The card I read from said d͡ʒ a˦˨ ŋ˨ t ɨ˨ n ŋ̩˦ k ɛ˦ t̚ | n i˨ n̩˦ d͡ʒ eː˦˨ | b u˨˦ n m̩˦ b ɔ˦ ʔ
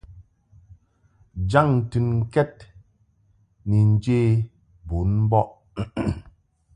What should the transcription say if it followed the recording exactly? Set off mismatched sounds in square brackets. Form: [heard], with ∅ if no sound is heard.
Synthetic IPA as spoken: d͡ʒ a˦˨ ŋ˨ t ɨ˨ n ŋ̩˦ k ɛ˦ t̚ | n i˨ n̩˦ d͡ʒ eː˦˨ | b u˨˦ n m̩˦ b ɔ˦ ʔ